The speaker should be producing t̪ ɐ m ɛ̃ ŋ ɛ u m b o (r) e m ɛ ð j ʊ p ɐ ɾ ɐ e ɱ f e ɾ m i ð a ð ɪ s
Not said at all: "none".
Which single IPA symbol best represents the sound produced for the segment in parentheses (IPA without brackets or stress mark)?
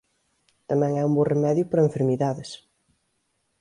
r